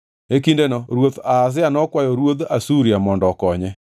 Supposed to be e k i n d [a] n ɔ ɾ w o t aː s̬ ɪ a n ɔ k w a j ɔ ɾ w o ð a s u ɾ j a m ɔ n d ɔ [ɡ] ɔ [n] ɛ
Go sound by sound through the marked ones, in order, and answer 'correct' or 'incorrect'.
incorrect, incorrect, incorrect

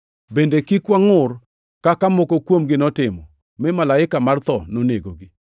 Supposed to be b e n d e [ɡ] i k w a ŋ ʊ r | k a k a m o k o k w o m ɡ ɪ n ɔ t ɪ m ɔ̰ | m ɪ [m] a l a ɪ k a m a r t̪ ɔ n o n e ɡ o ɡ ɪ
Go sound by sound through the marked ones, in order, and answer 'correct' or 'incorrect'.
incorrect, correct

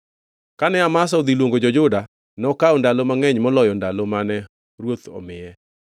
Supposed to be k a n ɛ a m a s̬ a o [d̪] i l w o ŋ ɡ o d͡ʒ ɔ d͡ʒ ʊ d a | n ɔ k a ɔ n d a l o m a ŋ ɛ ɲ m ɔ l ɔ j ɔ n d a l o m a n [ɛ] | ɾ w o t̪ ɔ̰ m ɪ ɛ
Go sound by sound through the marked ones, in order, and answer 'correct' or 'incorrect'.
correct, correct

